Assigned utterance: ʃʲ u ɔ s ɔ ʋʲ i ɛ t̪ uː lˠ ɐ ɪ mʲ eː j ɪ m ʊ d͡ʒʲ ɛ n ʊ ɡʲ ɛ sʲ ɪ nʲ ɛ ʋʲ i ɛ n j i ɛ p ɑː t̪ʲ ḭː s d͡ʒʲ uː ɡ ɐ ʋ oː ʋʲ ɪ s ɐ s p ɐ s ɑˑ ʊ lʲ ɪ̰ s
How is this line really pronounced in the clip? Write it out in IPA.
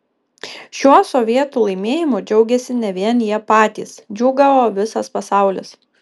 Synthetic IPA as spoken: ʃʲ u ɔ s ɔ ʋʲ i ɛ t̪ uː lˠ ɐ ɪ mʲ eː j ɪ m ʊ d͡ʒʲ ɛ ʊ ɡʲ ɛ sʲ ɪ nʲ ɛ ʋʲ i ɛ n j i ɛ p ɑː t̪ʲ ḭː s d͡ʒʲ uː ɡ ɐ ʋ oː ʋʲ ɪ s ɐ s p ɐ s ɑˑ ʊ lʲ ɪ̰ s

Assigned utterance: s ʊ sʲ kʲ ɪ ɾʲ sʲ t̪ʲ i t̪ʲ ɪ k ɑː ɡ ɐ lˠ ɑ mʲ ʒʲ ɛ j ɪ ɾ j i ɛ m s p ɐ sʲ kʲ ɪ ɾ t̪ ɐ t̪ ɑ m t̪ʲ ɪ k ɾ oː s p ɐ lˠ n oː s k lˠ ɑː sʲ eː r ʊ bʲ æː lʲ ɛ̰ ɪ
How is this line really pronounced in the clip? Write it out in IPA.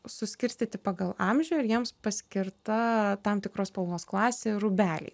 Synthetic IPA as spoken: s ʊ sʲ kʲ ɪ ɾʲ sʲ t̪ʲ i t̪ʲ ɪ p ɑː ɡ ɐ lˠ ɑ mʲ ʒʲ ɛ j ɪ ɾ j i ɛ m s p ɐ sʲ kʲ ɪ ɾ t̪ ɐ t̪ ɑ m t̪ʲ ɪ k ɾ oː s p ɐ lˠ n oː s k lˠ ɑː sʲ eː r ʊ bʲ æː lʲ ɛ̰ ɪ

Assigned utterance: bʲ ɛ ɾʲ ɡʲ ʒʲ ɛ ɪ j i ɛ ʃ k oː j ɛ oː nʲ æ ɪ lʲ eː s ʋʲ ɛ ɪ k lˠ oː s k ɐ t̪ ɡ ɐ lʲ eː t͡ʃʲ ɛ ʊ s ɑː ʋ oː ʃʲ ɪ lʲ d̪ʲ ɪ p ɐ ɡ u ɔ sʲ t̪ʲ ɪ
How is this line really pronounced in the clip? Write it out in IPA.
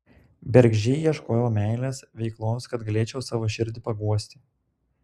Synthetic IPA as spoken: bʲ ɛ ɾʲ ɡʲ ʒʲ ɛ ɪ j i ɛ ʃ k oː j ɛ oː mʲ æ ɪ lʲ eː s ʋʲ ɛ ɪ k lˠ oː s k ɐ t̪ ɡ ɐ lʲ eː t͡ʃʲ ɛ ʊ s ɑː ʋ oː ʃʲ ɪ ɾʲ d̪ʲ ɪ p ɐ ɡ u ɔ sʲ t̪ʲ ɪ

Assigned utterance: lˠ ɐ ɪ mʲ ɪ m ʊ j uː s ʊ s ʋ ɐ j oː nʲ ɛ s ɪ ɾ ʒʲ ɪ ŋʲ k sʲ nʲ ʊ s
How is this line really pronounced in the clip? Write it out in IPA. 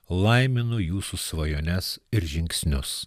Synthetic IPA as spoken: lˠ ɐ ɪ mʲ ɪ n ʊ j uː s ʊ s ʋ ɐ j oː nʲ ɛ s ɪ ɾ ʒʲ ɪ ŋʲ k sʲ nʲ ʊ s

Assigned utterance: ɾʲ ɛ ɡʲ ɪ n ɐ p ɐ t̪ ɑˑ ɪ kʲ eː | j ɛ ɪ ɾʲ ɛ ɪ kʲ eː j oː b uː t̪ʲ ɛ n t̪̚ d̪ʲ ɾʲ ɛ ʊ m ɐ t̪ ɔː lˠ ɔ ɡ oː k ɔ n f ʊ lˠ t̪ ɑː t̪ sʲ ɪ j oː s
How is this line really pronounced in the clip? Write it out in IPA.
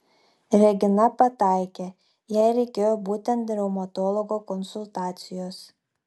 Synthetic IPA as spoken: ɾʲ ɛ ɡʲ ɪ n ɐ p ɐ t̪ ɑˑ ɪ kʲ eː | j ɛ ɪ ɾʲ ɛ ɪ kʲ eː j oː b uː t̪ʲ ɛ n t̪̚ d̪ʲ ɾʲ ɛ ʊ m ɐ t̪ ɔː lˠ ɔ ɡ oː k ɔ n s ʊ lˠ t̪ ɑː t̪ sʲ ɪ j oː s

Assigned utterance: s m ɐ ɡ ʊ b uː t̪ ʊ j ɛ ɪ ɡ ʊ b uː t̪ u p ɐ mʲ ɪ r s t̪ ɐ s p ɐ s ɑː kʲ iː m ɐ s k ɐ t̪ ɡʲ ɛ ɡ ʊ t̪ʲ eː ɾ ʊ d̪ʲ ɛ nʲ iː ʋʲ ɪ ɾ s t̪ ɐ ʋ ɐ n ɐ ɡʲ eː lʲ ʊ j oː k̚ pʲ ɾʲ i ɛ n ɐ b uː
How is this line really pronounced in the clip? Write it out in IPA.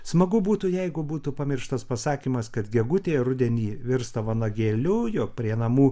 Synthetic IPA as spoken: s m ɐ ɡ ʊ b uː t̪ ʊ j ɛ ɪ ɡ ʊ b uː t̪ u p ɐ mʲ ɪ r ʃ t̪ ɐ s p ɐ s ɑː kʲ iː m ɐ s k ɐ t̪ ɡʲ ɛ ɡ ʊ t̪ʲ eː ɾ ʊ d̪ʲ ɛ nʲ iː ʋʲ ɪ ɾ s t̪ ɐ ʋ ɐ n ɐ ɡʲ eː lʲ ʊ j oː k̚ pʲ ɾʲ i ɛ n ɐ m uː

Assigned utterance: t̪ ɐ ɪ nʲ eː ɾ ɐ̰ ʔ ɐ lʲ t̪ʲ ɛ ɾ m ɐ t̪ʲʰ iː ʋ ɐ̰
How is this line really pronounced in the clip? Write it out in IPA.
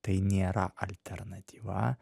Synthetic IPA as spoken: t̪ ɐ ɪ nʲ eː ɾ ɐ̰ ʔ ɐ lʲ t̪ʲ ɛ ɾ n ɐ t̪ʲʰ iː ʋ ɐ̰

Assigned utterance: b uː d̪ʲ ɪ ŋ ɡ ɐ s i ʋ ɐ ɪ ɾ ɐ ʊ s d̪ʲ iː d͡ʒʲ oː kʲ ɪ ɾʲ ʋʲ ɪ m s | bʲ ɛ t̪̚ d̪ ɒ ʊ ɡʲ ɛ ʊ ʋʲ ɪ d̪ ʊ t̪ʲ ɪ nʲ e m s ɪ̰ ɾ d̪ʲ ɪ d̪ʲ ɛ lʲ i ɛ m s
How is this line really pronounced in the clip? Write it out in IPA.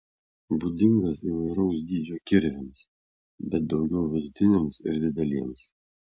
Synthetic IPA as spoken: b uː d̪ʲ ɪ ŋ ɡ ɐ s i ʋ ɐ ɪ ɾ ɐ ʊ s d̪ʲ iː d͡ʒʲ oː kʲ ɪ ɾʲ ʋʲ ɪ m s | bʲ ɛ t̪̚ d̪ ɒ ʊ ɡʲ ɛ ʊ ʋʲ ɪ d̪ ʊ t̪ʲ ɪ nʲ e m s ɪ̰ ɾ d̪ʲ ɪ d̪ʲ ɛ lʲ i ɛ m s

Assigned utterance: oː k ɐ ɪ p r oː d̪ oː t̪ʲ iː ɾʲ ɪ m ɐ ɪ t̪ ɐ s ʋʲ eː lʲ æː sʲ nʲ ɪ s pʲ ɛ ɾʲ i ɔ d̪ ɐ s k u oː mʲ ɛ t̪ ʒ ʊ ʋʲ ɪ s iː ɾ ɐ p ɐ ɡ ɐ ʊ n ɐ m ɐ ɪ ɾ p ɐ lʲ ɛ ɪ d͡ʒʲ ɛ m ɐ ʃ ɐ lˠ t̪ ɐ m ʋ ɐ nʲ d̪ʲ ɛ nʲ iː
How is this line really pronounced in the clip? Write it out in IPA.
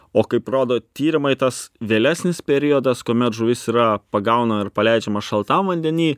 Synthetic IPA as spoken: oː k ɐ ɪ p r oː d̪ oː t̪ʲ iː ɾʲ ɪ m ɐ ɪ t̪ ɐ s ʋʲ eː lʲ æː sʲ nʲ ɪ s pʲ ɛ ɾʲ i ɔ d̪ ɐ s k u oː mʲ ɛ t̪ ʒ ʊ ʋʲ ɪ s iː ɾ ɐ p ɐ ɡ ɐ ʊ n ɐ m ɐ ɪ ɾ p ɐ lʲ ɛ ɪ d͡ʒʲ ɛ m ɐ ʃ ɐ lˠ t̪ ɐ m ʋ ɐ nʲ d̪ʲ ɛ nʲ iː

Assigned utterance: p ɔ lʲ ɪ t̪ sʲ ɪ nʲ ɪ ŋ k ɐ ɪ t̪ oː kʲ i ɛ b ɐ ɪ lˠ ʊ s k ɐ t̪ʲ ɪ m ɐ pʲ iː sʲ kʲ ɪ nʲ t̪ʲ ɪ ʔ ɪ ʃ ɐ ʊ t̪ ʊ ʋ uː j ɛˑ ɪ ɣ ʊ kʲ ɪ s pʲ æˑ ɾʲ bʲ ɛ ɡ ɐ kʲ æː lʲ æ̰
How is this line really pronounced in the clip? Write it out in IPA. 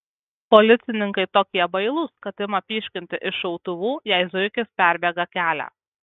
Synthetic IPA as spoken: p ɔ lʲ ɪ t̪ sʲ ɪ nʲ ɪ ŋ k ɐ ɪ t̪ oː kʲ i ɛ b ɐ ɪ lˠ ʊ s k ɐ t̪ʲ ɪ m ɐ pʲ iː ʃʲ kʲ ɪ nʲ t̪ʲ ɪ ʔ ɪ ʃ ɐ ʊ t̪ ʊ ʋ uː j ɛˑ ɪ z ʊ kʲ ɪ s pʲ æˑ ɾʲ bʲ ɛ ɡ ɐ kʲ æː lʲ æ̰

